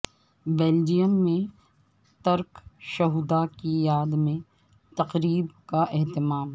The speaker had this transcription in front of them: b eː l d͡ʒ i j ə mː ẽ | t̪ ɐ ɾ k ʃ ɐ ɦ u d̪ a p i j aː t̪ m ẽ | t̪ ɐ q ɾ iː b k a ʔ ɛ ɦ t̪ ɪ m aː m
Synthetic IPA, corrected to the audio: b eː l d͡ʒ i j ə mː ẽ | t̪ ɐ ɾ k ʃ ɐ ɦ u d̪ a k i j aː d̪ m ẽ | t̪ ɐ q ɾ iː b k a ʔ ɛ ɦ t̪ ɪ m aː m